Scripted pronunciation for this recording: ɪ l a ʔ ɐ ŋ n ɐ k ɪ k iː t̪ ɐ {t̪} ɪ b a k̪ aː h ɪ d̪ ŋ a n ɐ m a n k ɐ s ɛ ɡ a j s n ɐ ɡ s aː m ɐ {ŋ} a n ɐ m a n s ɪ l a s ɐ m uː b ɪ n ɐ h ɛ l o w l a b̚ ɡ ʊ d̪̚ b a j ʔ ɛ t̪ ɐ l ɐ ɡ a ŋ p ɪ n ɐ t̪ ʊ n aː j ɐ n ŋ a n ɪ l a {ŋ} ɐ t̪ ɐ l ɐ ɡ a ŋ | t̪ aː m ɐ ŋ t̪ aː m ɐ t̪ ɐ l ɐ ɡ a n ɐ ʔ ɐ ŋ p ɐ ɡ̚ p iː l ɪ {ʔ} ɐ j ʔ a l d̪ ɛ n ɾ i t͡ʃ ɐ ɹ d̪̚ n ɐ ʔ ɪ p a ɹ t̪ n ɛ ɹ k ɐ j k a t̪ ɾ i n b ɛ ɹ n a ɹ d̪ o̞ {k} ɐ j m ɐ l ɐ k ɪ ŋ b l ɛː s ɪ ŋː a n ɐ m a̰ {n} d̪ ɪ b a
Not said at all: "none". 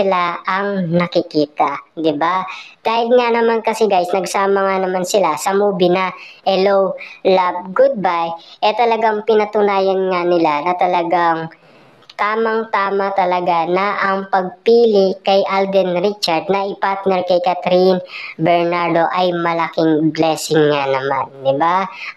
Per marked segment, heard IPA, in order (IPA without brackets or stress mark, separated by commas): d̪, ŋ, n, k, ʔ, n